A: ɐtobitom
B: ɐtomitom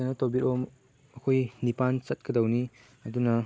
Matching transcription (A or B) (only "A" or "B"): A